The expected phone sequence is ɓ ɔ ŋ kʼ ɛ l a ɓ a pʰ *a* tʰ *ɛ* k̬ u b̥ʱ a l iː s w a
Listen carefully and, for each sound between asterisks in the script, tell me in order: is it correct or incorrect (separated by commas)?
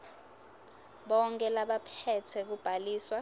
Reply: incorrect, correct